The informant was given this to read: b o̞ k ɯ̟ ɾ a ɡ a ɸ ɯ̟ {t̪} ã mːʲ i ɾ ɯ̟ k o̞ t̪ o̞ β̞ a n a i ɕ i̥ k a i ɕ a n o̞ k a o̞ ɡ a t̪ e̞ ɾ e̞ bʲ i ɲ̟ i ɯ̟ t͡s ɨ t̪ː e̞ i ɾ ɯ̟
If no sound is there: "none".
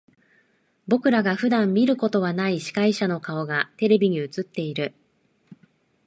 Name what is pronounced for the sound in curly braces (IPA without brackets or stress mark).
d̪